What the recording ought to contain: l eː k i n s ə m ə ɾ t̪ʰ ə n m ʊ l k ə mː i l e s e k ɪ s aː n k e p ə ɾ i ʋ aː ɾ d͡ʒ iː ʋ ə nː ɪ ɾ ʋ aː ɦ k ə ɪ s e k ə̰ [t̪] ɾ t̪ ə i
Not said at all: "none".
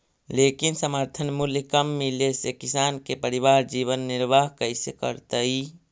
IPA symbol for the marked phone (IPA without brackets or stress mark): none